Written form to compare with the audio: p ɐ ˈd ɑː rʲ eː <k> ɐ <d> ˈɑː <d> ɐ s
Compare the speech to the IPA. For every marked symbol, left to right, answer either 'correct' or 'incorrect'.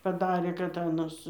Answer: correct, incorrect: t, incorrect: n

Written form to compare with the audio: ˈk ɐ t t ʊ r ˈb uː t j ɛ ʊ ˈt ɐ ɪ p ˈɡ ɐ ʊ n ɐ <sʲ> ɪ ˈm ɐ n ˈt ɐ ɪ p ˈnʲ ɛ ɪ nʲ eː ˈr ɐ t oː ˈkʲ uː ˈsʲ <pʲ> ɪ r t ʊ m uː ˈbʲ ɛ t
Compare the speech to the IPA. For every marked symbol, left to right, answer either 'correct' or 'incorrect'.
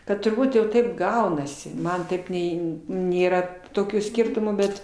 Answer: correct, incorrect: kʲ

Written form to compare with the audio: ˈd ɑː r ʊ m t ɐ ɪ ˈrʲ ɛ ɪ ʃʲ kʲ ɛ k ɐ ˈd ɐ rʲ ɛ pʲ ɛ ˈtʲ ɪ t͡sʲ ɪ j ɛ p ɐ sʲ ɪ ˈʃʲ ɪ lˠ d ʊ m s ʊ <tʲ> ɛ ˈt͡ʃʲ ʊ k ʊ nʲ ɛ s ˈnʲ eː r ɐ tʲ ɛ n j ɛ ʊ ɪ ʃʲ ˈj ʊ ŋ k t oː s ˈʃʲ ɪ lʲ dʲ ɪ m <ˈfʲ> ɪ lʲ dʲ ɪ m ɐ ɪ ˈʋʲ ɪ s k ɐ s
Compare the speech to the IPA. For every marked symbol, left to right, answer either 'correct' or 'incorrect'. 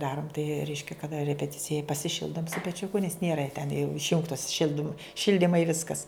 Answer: incorrect: pʲ, incorrect: ʃʲ

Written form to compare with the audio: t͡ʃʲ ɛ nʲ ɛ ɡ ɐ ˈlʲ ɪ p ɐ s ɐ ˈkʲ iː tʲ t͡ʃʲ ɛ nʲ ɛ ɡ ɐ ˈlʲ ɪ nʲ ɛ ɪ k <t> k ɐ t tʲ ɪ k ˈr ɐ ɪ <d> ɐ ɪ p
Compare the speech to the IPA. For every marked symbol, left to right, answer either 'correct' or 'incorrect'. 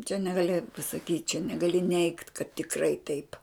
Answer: correct, incorrect: t

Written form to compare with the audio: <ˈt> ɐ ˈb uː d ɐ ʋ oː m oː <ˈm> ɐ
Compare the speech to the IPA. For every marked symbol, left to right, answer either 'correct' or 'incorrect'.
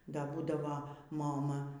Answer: incorrect: d, correct

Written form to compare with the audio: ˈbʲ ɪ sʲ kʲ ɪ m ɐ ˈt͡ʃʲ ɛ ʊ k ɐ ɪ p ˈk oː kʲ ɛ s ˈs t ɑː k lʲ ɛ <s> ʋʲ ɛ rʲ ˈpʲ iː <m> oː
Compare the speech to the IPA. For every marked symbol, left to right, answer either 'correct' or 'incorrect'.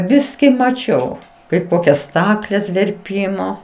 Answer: correct, correct

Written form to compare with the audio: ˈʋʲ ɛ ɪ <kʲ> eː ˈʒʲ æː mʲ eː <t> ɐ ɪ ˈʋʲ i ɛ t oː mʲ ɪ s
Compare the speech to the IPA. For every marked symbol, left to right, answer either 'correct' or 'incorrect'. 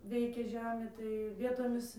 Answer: correct, correct

